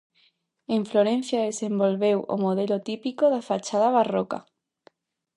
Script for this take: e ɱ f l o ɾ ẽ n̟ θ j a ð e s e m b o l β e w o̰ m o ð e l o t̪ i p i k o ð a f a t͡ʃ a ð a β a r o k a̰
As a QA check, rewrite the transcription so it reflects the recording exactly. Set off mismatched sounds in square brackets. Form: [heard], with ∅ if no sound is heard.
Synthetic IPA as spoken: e ɱ f l o ɾ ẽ n̟ θ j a ð e s e m b o l β e w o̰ m o ð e l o t̪ i p i k o ð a f a t͡ʃ a ð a β a r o k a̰